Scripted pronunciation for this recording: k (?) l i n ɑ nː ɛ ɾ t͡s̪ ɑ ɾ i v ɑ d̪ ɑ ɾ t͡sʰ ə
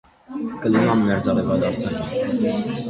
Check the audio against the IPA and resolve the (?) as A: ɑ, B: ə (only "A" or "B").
B